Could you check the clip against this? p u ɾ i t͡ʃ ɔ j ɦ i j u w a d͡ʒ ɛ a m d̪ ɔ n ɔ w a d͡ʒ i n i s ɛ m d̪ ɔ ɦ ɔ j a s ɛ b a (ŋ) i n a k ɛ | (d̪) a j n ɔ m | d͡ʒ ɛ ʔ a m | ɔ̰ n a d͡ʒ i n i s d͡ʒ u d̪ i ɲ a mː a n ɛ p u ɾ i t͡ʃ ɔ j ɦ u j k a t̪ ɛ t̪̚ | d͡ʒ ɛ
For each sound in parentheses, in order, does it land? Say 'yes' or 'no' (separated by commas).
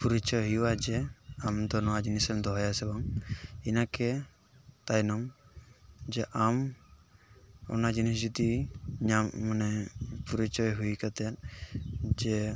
yes, no